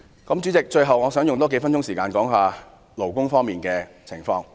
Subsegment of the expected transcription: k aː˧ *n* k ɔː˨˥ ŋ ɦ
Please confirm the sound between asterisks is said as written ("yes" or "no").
yes